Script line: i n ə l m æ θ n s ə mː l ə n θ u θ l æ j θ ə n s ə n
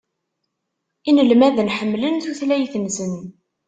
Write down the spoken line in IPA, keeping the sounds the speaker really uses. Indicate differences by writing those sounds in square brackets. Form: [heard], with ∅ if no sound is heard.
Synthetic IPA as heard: i n ə l m æ [ð] n [ħ] ə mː l ə n θ u θ l æ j θ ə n s ə n